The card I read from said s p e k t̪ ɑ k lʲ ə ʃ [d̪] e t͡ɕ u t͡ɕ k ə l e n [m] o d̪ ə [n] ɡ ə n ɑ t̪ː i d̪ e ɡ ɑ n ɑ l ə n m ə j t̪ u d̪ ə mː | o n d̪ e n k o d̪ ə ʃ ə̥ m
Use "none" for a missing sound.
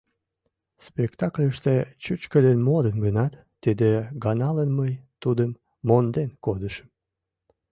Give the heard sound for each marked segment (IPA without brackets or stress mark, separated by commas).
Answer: t̪, m, n